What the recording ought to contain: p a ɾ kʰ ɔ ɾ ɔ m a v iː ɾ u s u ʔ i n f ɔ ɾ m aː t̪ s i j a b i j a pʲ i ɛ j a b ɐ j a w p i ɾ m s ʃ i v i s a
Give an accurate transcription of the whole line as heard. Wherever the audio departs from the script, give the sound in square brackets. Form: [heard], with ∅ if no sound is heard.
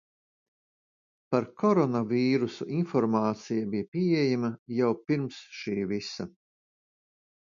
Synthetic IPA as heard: p a ɾ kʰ ɔ ɾ ɔ [n] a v iː ɾ u s u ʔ i n f ɔ ɾ m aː t̪ s i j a b i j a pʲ i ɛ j a [m] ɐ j a w p i ɾ m s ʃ [iː] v i s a